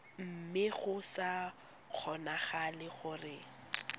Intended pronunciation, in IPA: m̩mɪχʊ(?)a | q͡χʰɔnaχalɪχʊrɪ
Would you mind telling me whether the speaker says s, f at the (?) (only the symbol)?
s